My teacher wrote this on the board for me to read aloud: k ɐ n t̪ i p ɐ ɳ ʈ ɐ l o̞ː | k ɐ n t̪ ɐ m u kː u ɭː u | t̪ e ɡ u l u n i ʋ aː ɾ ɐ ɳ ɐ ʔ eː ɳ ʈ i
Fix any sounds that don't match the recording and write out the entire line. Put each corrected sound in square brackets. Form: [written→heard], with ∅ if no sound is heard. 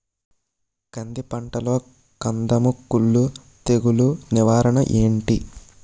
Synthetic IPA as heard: k ɐ n [t̪→d̪] i p ɐ ɳ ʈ ɐ l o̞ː | k ɐ n [t̪→d̪] ɐ m u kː u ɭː u | t̪ e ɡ u l u n i ʋ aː ɾ ɐ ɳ ɐ ʔ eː ɳ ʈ i